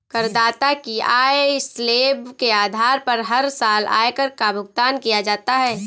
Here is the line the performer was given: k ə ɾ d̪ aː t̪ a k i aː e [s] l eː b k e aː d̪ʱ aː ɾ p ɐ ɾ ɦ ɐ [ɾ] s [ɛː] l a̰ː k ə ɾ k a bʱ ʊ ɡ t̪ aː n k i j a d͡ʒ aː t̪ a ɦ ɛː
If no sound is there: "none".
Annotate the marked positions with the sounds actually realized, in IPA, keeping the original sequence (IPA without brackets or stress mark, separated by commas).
s, ɾ, aː